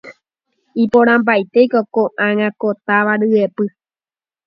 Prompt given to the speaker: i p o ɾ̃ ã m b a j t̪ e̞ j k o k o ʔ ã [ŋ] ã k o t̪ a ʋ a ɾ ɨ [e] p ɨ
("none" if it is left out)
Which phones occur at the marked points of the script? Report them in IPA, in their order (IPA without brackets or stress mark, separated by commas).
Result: ŋ, e